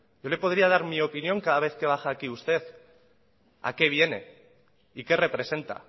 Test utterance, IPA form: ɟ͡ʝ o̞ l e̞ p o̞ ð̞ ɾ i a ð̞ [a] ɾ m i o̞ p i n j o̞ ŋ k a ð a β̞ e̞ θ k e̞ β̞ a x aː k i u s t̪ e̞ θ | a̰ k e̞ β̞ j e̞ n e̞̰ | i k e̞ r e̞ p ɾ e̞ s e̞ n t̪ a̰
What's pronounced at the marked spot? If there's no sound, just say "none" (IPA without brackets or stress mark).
a